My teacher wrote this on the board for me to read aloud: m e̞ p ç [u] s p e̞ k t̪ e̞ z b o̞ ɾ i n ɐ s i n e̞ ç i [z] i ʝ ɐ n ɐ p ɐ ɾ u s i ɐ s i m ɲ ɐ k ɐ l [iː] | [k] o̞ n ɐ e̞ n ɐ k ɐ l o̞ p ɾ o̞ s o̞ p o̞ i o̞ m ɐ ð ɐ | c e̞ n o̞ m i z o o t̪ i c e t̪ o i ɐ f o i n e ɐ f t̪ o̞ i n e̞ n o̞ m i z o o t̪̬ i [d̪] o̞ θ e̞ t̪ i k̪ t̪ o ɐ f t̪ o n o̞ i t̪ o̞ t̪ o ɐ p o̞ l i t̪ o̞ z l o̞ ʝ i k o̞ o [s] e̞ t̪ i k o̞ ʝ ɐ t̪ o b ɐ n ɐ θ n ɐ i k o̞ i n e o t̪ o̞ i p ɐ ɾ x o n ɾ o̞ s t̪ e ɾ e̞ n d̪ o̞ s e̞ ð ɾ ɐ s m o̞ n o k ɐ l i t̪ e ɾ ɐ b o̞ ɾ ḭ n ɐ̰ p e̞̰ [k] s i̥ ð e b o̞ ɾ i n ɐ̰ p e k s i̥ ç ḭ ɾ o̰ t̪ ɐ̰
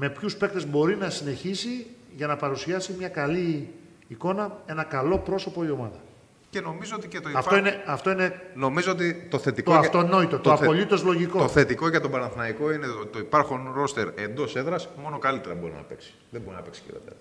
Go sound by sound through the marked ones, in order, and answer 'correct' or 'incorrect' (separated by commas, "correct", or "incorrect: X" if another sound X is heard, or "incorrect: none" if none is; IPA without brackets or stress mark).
correct, incorrect: s, correct, correct, incorrect: t̪, incorrect: θ, correct